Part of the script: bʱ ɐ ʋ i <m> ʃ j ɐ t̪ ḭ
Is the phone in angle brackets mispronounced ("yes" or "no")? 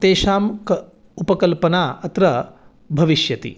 yes